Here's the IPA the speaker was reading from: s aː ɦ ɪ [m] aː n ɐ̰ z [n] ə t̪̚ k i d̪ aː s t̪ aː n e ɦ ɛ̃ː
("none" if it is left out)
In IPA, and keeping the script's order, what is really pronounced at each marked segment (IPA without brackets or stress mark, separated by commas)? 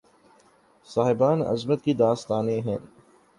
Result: b, m